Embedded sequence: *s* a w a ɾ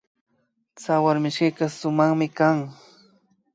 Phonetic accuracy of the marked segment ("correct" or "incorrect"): incorrect